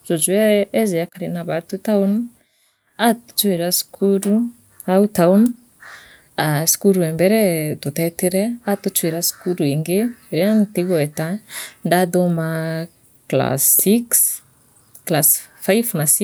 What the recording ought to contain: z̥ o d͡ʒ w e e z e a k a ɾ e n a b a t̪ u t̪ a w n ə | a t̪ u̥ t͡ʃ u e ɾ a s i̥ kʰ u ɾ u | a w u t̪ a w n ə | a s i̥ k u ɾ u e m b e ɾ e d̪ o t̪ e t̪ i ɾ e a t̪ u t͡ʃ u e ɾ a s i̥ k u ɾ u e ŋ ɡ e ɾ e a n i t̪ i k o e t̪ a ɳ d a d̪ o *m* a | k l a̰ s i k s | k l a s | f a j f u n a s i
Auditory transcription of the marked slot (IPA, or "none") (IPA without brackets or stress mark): m